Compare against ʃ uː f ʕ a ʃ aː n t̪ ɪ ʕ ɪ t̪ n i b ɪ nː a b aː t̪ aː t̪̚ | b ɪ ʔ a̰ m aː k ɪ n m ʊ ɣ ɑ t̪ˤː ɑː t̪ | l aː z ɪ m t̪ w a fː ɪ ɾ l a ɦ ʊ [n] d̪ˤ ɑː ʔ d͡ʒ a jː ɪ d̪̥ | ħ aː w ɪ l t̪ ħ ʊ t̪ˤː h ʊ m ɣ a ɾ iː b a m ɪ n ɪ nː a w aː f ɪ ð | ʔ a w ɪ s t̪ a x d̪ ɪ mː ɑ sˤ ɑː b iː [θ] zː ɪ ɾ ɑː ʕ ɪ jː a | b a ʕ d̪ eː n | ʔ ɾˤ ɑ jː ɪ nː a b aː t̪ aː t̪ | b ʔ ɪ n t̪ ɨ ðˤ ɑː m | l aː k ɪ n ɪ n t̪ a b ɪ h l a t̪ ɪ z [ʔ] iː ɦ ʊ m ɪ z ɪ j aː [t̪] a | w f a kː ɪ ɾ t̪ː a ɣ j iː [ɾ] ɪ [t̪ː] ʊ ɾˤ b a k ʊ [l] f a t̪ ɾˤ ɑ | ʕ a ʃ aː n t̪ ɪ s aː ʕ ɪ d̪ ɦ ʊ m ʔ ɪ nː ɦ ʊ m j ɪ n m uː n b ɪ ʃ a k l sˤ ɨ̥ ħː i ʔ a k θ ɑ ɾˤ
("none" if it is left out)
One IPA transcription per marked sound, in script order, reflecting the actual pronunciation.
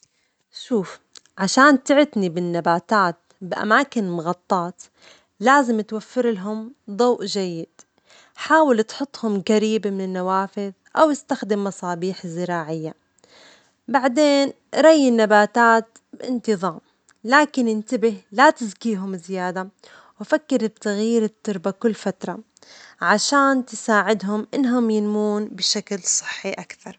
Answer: m, ħ, k, d̪, ɾ, t̪ː, lː

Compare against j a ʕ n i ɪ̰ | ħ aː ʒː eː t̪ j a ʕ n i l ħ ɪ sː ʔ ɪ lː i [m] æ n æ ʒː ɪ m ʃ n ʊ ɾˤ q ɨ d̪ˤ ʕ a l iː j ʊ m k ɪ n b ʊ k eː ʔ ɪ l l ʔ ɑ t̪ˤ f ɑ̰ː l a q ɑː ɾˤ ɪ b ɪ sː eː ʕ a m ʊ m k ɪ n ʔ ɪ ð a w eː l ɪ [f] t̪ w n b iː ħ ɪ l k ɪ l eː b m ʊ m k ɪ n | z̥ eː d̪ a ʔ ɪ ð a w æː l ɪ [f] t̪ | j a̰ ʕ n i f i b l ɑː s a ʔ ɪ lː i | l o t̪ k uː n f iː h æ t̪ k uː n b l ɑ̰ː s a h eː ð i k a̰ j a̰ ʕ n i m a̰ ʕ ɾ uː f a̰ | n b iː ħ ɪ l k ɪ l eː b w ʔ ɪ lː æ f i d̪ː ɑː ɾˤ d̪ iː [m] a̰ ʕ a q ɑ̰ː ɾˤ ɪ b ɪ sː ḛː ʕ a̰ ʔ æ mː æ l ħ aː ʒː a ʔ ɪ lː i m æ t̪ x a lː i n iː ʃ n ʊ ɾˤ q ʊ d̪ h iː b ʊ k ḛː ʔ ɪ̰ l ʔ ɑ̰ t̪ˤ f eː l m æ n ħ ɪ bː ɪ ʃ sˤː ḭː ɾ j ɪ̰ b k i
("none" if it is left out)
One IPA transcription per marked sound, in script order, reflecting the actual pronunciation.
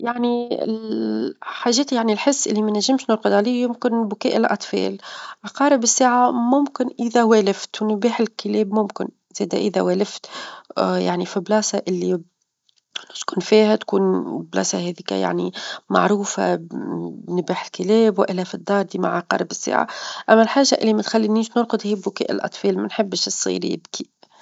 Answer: m, f, f, m

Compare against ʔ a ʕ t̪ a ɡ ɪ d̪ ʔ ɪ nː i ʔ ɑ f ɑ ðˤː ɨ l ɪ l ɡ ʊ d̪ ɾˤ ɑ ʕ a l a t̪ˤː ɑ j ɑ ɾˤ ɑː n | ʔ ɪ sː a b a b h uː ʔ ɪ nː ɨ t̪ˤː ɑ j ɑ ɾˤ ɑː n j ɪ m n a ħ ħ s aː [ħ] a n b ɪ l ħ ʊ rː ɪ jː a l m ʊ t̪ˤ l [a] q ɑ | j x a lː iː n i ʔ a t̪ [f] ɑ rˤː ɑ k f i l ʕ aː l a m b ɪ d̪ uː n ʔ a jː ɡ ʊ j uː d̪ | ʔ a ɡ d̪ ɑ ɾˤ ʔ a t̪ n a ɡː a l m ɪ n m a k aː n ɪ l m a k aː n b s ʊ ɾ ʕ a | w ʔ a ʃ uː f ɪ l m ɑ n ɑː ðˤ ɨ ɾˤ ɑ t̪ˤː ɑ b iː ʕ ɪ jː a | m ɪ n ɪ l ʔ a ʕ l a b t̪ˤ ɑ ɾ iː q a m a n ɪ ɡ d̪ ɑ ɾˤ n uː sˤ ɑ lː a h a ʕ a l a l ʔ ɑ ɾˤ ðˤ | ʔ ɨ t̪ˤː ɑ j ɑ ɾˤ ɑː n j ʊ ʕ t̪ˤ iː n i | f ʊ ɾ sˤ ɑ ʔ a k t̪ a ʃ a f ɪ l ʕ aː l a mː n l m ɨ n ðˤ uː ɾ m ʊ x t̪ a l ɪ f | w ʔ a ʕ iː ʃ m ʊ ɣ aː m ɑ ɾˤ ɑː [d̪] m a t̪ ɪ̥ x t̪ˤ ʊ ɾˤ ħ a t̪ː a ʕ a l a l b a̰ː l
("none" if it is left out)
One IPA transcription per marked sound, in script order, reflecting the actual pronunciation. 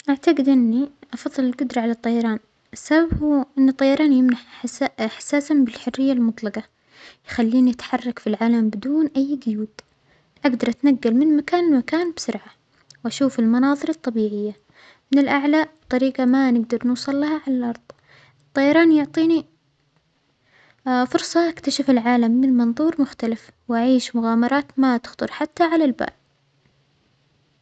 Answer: s, ɑ, ħ, t̪

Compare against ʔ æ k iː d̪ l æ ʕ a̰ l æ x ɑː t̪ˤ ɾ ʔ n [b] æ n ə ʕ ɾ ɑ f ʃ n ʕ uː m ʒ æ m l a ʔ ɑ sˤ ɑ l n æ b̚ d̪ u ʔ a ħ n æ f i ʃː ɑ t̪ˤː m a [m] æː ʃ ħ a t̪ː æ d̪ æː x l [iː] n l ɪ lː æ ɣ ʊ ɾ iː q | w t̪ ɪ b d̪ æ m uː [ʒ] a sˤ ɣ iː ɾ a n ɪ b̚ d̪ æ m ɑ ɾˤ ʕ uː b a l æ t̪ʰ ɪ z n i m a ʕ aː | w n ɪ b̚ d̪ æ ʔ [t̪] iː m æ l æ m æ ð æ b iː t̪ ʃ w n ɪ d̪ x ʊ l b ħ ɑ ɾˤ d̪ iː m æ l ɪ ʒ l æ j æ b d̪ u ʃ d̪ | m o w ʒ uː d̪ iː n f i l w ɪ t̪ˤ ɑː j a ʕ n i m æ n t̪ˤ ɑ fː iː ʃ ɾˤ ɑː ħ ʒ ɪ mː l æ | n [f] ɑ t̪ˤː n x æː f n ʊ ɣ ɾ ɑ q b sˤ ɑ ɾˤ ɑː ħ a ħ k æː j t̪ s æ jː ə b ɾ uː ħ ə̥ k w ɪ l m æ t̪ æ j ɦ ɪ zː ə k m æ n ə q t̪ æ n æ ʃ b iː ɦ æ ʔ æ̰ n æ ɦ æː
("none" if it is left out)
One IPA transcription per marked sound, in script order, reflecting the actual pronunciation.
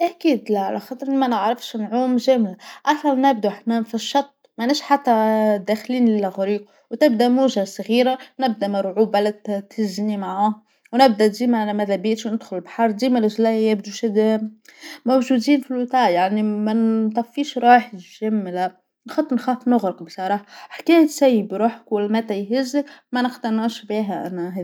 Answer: m, n, iː, ʒ, d̪, x

